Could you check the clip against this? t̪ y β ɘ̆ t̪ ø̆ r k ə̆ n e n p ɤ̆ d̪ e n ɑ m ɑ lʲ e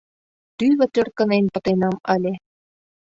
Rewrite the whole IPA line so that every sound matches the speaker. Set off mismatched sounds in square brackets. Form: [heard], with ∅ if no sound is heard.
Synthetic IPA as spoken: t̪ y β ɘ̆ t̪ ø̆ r k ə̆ n e n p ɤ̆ [t̪] e n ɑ m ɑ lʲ e